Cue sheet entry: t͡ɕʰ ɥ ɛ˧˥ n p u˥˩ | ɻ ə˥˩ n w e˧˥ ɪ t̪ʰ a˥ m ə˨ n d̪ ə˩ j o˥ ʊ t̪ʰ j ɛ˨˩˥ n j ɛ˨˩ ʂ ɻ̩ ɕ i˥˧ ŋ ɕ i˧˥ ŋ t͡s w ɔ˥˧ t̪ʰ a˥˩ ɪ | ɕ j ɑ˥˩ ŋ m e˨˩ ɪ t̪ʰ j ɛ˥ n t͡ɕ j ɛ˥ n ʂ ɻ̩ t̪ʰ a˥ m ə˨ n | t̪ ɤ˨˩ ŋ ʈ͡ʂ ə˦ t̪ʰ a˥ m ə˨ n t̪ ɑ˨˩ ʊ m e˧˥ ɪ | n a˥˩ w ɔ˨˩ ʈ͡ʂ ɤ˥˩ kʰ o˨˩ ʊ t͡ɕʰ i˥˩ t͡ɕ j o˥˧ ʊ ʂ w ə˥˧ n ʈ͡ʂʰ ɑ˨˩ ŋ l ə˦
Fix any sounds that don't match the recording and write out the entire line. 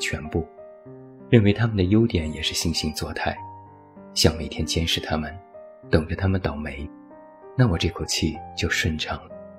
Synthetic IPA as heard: t͡ɕʰ ɥ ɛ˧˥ n p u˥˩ | ɻ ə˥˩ n w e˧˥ ɪ t̪ʰ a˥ m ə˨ n d̪ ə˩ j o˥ ʊ t̪ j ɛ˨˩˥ n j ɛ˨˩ ʂ ɻ̩ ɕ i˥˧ ŋ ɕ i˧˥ ŋ t͡s w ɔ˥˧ t̪ʰ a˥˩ ɪ | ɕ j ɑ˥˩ ŋ m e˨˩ ɪ t̪ʰ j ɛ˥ n t͡ɕ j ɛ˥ n ʂ ɻ̩ t̪ʰ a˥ m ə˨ n | t̪ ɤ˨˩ ŋ ʈ͡ʂ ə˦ t̪ʰ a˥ m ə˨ n t̪ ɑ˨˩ ʊ m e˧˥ ɪ | n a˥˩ w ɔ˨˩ ʈ͡ʂ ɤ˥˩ kʰ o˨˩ ʊ t͡ɕʰ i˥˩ t͡ɕ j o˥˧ ʊ ʂ w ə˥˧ n ʈ͡ʂʰ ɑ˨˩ ŋ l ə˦